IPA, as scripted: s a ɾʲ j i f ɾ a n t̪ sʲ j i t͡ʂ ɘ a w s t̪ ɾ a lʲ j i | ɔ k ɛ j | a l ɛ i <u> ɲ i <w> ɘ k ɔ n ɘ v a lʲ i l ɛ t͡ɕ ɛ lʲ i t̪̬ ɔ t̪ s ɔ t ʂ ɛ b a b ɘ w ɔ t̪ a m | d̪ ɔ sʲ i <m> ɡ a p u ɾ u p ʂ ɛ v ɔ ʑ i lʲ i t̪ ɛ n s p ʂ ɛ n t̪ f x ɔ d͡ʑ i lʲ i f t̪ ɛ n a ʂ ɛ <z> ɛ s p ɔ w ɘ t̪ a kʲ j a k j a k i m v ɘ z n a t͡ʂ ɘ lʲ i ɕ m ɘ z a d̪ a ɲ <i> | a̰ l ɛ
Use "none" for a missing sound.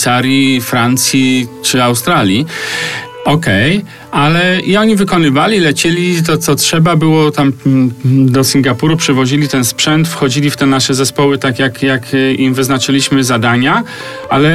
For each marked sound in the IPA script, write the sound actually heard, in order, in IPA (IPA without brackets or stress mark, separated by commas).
ɔ, v, ŋ, z, a